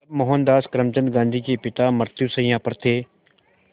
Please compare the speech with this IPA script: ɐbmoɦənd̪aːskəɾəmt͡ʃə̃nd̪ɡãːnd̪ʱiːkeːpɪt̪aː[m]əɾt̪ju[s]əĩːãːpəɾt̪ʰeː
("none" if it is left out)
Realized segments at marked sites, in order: m, s

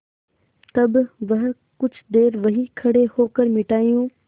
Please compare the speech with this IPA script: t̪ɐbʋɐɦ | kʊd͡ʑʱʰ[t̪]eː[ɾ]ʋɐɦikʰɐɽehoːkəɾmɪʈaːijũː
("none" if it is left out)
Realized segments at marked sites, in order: d̪, ɾ

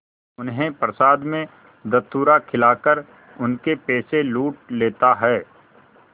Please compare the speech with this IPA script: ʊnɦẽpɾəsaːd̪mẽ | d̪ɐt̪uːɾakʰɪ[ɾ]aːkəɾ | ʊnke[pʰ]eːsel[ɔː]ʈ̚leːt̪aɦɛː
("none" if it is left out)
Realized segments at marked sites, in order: l, p, uː

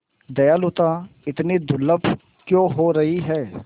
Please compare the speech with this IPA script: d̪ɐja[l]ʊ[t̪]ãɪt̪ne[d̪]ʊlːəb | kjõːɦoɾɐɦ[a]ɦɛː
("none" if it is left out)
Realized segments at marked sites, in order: l, t̪, d̪, i

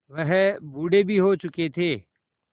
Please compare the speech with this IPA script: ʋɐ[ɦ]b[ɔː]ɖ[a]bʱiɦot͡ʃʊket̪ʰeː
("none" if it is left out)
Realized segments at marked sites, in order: ɦ, uː, e

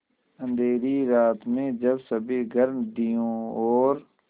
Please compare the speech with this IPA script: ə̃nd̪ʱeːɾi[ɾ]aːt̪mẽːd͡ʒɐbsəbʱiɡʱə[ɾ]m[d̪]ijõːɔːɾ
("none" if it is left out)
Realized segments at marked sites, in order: ɾ, ɾ, d̪

